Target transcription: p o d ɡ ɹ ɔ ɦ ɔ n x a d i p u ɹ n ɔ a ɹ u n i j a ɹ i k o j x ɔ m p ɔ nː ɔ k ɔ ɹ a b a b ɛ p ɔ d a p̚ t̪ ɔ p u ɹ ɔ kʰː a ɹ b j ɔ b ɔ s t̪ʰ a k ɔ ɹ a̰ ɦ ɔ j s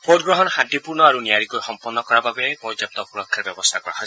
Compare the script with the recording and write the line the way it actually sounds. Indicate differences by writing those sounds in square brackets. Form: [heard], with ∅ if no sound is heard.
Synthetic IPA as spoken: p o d ɡ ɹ ɔ ɦ ɔ n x a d i p u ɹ n ɔ a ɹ u n i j a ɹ i k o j x ɔ m p ɔ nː ɔ k ɔ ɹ a b a b ɛ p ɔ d a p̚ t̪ ɔ p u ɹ ɔ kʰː a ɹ b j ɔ b ɔ s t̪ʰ a k ɔ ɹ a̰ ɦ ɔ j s